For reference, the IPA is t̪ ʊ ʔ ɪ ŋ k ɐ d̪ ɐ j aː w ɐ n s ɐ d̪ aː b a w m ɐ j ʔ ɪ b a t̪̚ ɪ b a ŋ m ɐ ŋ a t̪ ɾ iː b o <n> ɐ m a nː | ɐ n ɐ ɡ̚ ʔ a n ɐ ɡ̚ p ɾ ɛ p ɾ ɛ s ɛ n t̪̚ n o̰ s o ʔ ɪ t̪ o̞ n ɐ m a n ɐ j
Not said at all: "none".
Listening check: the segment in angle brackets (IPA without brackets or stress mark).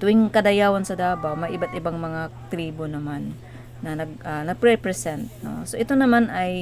n